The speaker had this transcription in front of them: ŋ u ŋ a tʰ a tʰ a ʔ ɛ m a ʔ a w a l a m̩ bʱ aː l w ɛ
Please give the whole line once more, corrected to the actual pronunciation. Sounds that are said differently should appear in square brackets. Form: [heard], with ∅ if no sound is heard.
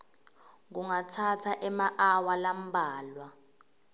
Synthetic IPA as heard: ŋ u ŋ a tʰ a tʰ a ʔ ɛ m a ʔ a w a l a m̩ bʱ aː l w [a]